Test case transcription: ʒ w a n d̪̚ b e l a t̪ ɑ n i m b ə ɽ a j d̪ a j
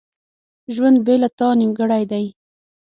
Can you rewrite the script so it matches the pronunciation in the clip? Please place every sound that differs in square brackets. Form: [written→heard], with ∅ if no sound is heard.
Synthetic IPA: ʒ w a n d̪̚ b e l a t̪ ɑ n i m [b→ɡ] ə ɽ a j d̪ a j